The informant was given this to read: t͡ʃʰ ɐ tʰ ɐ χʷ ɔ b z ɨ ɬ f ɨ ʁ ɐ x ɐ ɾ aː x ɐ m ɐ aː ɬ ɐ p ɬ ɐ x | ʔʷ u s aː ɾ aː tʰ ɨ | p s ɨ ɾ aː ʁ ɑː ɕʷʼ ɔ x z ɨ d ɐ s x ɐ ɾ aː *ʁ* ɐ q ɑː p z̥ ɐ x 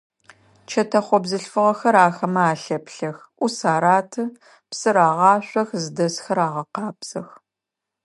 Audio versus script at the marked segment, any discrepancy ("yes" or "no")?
no